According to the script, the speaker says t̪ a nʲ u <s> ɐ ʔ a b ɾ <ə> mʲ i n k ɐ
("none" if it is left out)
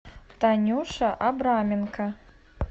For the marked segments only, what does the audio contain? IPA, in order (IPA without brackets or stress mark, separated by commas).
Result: ʂ, a